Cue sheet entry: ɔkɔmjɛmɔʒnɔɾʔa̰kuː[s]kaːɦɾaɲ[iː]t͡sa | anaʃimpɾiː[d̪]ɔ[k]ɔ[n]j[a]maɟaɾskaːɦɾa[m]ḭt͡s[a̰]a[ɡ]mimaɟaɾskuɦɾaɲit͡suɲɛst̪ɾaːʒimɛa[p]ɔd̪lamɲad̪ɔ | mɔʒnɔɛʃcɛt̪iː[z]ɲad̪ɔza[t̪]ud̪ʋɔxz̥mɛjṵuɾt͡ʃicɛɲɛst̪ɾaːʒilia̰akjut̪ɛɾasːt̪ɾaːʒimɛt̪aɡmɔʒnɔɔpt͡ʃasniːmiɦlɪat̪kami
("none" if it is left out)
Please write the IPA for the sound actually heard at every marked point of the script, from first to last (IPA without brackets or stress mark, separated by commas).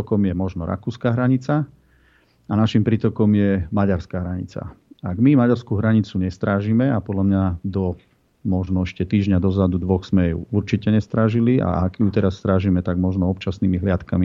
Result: s, i, t̪, k, m, ɛ, ɲ, a̰, ɡ, p, ʒ, d̪